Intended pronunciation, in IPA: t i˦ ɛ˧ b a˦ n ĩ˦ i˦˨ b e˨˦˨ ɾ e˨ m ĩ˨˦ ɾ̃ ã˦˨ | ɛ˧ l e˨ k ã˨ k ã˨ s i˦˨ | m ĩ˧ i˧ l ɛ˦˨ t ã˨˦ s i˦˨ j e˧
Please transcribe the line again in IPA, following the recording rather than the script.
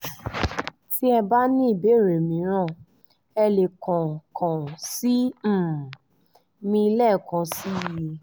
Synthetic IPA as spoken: t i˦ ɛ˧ b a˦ n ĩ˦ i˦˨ b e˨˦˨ ɾ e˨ m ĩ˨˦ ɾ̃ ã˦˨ | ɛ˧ l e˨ k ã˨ k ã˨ s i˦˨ | m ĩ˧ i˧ l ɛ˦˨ k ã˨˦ s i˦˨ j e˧